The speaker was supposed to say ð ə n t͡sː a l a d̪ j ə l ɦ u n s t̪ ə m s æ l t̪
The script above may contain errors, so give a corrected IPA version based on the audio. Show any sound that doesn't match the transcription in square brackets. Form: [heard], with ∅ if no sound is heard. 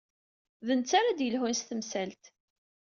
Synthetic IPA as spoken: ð ə n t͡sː a [ɾ] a d̪ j ə l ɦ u n s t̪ ə m s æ l t̪